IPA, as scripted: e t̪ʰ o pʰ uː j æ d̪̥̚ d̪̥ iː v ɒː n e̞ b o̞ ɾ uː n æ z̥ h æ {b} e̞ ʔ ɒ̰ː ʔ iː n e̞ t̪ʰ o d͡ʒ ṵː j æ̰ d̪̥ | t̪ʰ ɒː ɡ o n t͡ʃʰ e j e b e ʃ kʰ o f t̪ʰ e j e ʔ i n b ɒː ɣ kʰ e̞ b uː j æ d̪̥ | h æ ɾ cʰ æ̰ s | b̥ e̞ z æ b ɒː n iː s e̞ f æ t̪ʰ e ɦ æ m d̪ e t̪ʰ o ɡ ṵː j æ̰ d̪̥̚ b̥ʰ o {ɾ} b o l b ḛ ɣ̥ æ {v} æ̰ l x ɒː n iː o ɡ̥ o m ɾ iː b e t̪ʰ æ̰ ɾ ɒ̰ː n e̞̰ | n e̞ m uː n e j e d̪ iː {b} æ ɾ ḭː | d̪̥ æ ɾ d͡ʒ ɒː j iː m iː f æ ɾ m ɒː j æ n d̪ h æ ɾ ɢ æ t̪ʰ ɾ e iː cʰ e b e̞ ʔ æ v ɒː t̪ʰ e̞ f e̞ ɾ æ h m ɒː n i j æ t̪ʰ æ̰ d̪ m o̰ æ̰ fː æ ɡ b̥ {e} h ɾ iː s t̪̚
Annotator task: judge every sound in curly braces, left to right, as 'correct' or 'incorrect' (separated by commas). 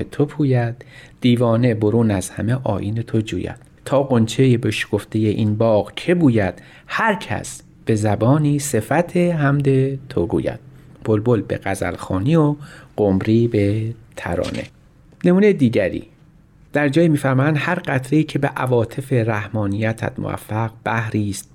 incorrect, incorrect, incorrect, incorrect, incorrect